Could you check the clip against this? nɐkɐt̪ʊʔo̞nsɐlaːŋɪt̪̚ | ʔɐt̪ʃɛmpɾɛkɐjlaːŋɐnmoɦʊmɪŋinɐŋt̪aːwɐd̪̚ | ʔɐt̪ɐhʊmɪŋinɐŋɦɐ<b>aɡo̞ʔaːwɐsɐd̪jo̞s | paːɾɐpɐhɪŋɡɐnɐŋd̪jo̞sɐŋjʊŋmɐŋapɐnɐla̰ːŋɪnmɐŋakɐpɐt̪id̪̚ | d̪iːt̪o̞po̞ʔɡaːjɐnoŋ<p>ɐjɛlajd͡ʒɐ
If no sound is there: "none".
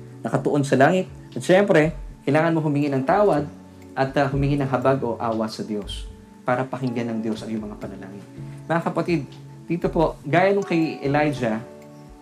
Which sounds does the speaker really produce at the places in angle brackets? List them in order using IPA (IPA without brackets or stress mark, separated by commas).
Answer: b, k